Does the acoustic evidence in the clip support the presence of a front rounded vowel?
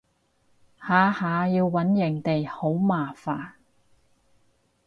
no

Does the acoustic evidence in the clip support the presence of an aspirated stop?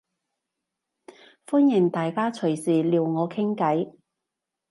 yes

